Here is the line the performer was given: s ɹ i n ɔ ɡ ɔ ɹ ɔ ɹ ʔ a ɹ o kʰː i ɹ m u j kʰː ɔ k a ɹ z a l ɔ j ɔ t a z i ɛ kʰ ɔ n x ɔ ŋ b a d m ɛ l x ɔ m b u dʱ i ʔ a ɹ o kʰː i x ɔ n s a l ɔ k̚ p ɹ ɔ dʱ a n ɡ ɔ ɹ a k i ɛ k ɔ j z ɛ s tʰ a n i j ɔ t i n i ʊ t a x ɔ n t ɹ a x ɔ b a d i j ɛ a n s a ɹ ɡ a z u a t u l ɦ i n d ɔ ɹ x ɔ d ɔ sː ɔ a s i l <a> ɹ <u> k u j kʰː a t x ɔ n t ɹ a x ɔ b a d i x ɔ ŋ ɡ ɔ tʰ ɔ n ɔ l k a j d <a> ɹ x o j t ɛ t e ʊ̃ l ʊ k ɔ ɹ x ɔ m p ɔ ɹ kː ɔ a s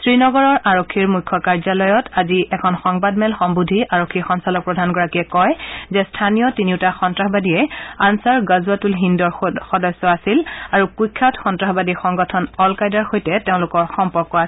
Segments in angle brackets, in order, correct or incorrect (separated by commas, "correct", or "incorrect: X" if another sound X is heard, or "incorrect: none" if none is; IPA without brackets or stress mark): correct, correct, correct